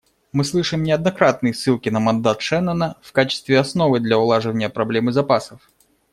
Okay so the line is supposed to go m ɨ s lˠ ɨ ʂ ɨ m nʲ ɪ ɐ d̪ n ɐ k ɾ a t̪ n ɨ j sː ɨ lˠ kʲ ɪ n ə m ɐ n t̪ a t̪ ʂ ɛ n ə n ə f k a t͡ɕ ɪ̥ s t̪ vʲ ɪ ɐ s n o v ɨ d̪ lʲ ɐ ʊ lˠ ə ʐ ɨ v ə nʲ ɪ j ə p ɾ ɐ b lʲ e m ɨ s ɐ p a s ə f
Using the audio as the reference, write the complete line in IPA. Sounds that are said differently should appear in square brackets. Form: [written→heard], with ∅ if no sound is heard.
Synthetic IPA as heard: m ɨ s lˠ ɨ ʂ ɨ m nʲ ɪ ɐ d̪ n ɐ k ɾ a t̪ n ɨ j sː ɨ lˠ kʲ ɪ n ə m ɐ n [t̪→d̪] a t̪ ʂ ɛ n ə n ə f k a t͡ɕ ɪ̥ s t̪ vʲ ɪ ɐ s n o v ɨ d̪ lʲ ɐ ʊ lˠ [ə→a] ʐ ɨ v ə nʲ ɪ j ə p ɾ ɐ b lʲ e m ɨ [s→z] ɐ p a s ə f